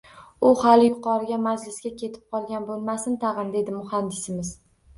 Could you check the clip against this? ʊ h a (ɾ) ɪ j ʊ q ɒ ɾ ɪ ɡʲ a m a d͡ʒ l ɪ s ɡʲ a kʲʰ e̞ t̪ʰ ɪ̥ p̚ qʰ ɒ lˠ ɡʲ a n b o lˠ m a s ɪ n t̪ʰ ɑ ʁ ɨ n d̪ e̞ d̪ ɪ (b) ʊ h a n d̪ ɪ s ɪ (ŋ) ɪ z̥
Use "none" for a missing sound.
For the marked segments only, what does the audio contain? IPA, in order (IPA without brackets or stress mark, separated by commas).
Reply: l, m, m